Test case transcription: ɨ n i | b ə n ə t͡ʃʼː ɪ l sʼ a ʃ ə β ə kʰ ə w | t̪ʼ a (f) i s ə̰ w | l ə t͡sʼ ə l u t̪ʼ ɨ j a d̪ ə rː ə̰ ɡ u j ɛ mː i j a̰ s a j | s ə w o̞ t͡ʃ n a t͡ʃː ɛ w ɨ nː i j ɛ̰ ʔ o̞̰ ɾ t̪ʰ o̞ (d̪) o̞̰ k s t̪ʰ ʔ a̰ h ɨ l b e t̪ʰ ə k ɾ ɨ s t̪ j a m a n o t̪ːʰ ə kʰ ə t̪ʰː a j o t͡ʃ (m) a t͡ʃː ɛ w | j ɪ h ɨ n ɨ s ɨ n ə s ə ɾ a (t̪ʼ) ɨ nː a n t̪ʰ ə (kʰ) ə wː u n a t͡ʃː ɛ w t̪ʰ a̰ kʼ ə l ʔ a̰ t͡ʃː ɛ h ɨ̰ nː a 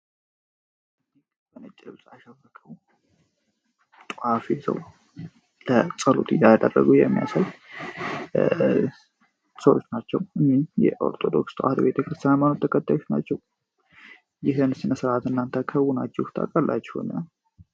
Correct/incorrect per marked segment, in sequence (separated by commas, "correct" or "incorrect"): correct, correct, incorrect, incorrect, correct